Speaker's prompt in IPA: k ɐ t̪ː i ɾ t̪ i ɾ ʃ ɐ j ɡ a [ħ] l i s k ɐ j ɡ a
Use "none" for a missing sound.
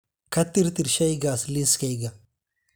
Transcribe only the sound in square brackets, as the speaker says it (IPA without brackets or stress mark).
s